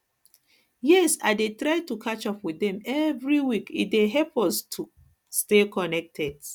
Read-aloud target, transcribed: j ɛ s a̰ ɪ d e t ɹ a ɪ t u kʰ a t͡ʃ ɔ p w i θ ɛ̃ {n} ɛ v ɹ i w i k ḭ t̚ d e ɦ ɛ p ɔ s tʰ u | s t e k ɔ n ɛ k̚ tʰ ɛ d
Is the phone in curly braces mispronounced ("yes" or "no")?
yes